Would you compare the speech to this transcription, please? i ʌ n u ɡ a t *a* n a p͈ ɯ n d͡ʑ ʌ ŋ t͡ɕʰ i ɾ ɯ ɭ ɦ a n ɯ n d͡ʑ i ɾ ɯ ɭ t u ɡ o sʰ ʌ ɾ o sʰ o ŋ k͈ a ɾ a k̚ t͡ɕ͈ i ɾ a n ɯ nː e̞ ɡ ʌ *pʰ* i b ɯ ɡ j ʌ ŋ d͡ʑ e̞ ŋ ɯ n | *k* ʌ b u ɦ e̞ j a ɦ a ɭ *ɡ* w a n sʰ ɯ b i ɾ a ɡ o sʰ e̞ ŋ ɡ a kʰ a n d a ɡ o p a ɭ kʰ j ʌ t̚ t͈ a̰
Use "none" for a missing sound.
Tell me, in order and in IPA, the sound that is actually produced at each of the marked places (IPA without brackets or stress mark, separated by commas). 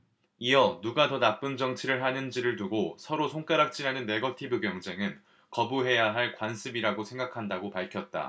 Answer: ʌ, tʰ, k, k